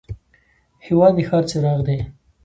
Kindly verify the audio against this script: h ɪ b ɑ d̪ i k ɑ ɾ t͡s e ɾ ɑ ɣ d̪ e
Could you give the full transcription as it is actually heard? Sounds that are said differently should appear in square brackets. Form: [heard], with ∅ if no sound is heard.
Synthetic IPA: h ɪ [w] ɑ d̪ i [x] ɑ ɾ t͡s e ɾ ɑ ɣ d̪ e